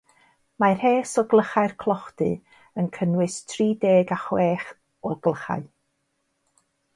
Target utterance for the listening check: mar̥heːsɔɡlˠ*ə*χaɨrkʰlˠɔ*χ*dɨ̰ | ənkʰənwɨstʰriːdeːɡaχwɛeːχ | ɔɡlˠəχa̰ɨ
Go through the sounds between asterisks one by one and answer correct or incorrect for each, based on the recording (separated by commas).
correct, correct